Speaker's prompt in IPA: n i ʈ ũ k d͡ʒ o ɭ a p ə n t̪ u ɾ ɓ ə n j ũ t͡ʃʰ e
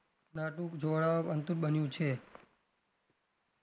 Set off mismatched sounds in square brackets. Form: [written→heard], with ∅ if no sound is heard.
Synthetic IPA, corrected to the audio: n [i→a] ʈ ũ k d͡ʒ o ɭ a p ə n t̪ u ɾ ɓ ə n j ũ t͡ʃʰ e